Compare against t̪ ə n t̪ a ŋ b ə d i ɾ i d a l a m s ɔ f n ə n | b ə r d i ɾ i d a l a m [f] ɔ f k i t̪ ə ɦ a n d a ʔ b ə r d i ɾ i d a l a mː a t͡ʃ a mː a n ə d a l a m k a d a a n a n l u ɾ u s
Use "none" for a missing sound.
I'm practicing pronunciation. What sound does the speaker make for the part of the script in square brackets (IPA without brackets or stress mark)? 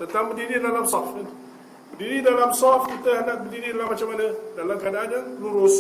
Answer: s